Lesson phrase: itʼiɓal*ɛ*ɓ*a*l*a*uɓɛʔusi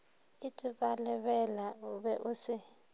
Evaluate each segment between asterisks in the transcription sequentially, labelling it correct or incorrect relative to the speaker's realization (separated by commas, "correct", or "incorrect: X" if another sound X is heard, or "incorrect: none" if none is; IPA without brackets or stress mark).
correct, incorrect: ɛ, correct